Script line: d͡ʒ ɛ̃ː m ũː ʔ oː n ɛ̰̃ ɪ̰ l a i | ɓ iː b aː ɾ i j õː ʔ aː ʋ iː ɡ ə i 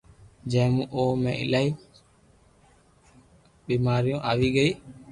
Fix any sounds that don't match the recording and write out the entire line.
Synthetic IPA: d͡ʒ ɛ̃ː m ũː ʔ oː m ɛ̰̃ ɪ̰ l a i | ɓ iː m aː ɾ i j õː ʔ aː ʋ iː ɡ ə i